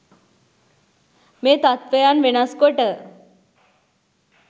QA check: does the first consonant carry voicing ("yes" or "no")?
yes